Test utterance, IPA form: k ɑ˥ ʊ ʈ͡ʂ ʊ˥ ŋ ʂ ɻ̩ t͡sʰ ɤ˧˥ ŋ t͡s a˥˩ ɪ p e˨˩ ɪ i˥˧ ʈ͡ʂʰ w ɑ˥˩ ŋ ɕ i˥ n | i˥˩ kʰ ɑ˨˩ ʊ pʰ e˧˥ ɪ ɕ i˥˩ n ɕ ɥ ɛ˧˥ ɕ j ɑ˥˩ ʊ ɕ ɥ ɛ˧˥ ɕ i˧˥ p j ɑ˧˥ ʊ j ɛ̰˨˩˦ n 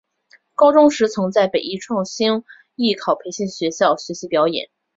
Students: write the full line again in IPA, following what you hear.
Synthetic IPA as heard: k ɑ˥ ʊ ʈ͡ʂ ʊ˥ ŋ ʂ ɻ̩ t͡sʰ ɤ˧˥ ŋ t͡s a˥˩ ɪ p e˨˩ ɪ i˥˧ ʈ͡ʂʰ w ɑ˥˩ ŋ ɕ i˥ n | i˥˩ kʰ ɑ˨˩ ʊ pʰ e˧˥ ɪ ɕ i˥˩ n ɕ ɥ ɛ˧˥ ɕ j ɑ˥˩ ʊ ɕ ɥ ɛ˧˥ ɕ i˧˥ p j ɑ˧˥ ʊ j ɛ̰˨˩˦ n